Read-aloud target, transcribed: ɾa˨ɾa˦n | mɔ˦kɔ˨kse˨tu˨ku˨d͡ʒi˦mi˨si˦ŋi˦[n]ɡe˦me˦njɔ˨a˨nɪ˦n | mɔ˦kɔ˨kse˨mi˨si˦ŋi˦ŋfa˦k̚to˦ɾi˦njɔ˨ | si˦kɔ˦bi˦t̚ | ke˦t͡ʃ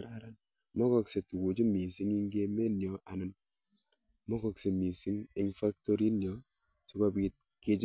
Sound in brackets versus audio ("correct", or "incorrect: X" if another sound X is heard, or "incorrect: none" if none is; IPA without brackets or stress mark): incorrect: ŋ